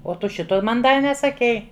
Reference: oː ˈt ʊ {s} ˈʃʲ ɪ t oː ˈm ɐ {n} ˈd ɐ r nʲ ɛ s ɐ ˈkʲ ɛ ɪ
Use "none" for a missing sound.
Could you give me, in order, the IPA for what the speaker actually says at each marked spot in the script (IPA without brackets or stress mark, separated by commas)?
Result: none, n